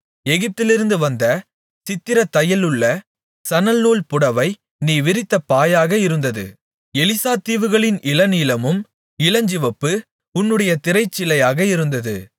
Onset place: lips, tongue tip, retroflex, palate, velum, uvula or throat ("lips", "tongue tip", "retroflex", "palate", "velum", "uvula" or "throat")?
velum